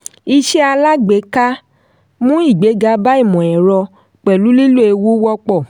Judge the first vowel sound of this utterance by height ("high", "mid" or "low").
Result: high